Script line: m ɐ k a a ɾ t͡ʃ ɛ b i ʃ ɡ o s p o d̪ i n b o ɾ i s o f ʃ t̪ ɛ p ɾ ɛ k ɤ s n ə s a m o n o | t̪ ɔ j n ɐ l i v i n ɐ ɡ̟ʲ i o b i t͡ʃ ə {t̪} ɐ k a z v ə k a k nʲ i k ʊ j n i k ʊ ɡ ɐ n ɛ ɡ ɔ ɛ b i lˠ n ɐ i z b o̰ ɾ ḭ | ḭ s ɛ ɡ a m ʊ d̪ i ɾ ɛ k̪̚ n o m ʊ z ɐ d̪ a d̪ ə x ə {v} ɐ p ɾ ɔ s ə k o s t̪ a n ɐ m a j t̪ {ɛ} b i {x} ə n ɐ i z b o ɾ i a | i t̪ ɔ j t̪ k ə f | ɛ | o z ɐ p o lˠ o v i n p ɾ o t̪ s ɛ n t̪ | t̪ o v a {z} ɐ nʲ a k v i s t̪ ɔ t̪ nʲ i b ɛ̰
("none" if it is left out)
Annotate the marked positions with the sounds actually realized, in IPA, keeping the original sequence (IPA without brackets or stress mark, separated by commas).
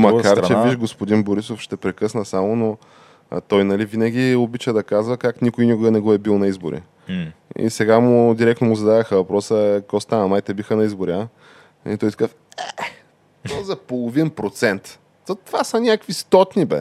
d̪, v, ɛ, x, s